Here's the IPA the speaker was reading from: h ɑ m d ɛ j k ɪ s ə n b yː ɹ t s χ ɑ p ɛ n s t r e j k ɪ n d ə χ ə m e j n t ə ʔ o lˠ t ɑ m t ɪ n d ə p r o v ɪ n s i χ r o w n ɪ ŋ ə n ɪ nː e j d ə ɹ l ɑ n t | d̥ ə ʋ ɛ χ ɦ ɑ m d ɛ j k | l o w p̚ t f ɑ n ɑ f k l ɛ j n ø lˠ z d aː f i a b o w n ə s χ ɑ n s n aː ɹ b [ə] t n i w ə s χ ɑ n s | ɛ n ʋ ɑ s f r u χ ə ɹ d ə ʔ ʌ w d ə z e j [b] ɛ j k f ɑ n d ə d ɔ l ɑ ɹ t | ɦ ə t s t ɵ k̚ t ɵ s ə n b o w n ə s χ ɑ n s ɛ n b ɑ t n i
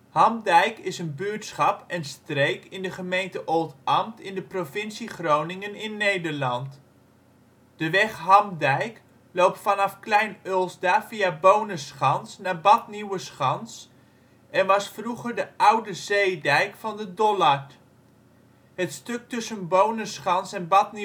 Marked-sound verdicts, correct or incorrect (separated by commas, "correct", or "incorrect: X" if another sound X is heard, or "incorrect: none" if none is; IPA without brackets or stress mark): incorrect: ɑ, incorrect: d